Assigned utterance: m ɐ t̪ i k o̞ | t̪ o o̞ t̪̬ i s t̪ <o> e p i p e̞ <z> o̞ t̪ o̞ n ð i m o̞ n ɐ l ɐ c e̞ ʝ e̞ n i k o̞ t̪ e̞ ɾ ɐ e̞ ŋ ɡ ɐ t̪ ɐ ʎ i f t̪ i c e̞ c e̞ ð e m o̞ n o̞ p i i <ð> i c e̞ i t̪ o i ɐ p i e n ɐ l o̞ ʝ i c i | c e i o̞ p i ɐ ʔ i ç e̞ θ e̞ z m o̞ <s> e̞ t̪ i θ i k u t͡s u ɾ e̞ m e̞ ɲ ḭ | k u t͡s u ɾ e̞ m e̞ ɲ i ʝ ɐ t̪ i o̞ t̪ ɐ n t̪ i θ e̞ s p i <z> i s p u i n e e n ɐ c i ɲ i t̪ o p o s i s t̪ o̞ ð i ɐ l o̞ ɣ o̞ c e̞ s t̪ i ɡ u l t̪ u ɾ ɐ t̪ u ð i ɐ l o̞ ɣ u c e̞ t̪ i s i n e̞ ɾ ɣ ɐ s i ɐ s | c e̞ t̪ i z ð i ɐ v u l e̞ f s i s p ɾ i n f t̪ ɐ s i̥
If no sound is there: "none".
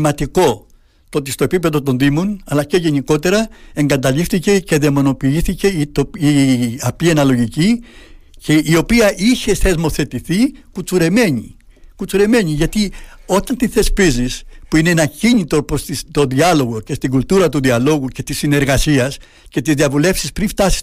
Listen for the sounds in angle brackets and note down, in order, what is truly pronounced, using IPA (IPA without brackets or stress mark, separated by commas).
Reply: o, ð, θ, θ, z